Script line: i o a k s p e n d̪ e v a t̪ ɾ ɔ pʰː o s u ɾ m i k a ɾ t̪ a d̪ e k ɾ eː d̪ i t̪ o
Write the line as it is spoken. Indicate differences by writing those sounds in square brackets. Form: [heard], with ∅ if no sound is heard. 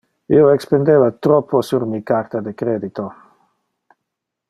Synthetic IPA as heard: i o [e] k s p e n d̪ e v a t̪ ɾ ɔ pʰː o s u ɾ m i k a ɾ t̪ a d̪ e k ɾ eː d̪ i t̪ o